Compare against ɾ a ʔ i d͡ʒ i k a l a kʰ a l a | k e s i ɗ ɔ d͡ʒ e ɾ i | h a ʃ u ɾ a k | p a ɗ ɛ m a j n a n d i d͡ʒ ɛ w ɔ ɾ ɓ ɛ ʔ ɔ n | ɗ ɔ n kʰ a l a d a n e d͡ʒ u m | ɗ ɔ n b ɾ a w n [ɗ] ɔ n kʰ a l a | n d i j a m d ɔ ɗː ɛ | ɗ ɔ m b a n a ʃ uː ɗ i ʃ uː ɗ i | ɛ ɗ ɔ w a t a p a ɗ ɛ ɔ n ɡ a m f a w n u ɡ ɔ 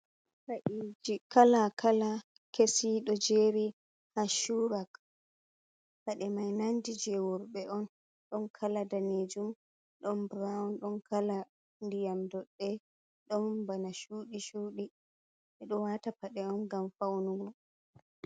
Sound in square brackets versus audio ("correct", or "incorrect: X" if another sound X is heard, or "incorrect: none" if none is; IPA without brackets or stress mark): correct